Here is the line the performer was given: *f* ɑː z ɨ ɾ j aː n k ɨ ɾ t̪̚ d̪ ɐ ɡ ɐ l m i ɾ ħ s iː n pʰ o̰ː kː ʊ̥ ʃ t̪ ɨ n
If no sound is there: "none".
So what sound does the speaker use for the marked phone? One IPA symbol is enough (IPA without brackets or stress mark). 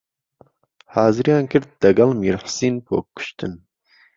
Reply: h